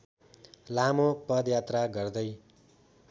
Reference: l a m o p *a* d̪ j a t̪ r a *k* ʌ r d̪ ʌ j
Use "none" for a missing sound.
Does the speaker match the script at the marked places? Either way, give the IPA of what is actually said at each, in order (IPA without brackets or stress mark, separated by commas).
ʌ, ɡ